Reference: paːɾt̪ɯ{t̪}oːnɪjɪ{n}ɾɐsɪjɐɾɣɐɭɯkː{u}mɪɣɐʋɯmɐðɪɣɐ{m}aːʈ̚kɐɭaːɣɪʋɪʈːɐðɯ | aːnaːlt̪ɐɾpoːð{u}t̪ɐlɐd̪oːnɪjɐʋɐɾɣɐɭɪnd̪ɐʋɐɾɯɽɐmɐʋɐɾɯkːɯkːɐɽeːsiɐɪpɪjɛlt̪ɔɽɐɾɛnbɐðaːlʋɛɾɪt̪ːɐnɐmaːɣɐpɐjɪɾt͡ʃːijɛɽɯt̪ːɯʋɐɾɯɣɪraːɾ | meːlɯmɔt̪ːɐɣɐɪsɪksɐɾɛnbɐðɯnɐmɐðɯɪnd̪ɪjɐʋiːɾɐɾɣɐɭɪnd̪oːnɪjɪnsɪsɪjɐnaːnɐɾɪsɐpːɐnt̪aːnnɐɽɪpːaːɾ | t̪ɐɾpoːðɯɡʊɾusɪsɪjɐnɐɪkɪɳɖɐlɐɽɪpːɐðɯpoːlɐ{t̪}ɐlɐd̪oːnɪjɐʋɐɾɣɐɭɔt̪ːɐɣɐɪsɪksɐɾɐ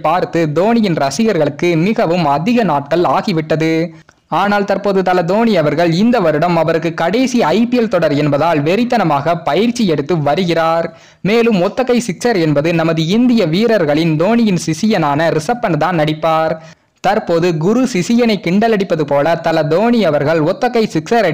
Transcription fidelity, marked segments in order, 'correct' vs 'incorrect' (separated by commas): incorrect, correct, incorrect, incorrect, incorrect, correct